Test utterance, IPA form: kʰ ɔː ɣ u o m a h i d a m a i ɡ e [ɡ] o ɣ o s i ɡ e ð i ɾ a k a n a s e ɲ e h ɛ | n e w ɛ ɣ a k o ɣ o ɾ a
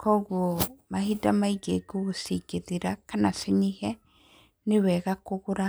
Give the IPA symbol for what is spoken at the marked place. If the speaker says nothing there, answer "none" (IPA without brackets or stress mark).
ɡ